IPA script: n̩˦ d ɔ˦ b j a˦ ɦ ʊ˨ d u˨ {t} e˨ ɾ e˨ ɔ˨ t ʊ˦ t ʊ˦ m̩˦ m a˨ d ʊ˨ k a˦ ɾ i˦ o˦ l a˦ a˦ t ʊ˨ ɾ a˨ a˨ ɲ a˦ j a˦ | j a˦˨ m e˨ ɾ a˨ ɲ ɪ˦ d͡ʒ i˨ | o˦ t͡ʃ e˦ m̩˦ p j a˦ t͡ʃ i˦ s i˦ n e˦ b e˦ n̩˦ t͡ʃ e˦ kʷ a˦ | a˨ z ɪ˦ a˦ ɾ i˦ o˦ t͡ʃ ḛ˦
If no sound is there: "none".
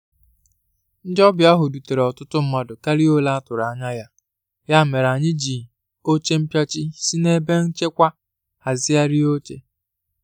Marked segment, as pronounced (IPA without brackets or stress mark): t